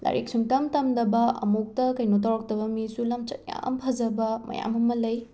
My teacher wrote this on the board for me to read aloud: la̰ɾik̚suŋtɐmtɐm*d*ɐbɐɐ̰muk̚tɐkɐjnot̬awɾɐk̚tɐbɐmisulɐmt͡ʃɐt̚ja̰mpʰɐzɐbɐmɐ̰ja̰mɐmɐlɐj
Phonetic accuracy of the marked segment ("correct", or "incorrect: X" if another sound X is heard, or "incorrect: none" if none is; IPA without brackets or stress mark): correct